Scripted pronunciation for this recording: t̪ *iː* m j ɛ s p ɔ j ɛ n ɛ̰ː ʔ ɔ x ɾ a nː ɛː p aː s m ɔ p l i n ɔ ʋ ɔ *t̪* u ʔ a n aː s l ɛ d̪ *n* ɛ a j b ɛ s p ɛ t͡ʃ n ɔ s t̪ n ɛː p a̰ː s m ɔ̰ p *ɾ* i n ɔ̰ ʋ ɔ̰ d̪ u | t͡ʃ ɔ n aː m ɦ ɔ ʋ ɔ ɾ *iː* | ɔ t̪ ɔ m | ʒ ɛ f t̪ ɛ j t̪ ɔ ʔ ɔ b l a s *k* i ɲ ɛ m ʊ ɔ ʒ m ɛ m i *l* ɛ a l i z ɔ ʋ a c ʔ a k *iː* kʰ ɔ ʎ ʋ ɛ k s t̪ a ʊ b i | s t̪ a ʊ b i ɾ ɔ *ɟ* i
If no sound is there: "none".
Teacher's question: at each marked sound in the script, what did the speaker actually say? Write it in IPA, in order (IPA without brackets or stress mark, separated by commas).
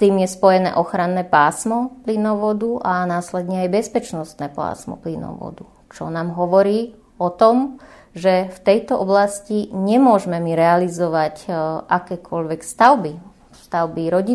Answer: iː, d̪, ɲ, l, iː, c, ɾ, ɛː, ɟ